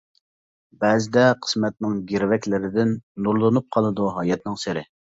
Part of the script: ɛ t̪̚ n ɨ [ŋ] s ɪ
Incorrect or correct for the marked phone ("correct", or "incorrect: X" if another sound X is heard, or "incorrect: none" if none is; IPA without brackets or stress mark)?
correct